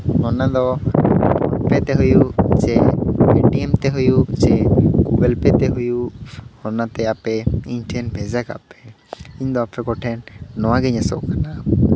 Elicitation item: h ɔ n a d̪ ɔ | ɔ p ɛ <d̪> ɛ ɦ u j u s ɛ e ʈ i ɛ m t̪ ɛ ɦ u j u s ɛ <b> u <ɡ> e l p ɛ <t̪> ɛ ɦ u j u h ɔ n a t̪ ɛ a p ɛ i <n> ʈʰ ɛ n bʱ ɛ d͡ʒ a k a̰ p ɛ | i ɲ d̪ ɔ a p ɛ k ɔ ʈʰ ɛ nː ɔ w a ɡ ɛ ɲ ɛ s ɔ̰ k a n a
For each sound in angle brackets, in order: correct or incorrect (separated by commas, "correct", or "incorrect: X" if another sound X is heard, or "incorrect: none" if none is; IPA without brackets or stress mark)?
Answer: incorrect: t̪, incorrect: ɡ, correct, correct, incorrect: ɲ